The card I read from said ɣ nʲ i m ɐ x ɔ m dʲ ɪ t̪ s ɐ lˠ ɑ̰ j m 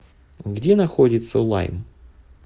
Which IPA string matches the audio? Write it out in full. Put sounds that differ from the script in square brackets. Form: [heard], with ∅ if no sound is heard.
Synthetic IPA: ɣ [dʲ] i [n] ɐ x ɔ [∅] dʲ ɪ t̪ s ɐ lˠ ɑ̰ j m